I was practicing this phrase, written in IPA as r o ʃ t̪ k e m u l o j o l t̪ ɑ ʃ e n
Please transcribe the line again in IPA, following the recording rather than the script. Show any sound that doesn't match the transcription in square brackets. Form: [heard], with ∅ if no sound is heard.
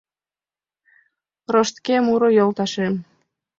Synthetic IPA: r o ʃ t̪ k e m u [ɾ] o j o l t̪ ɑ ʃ e [m]